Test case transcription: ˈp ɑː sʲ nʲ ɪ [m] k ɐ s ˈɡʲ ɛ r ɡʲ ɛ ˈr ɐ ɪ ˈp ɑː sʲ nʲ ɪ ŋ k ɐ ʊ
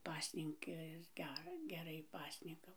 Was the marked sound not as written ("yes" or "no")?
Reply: yes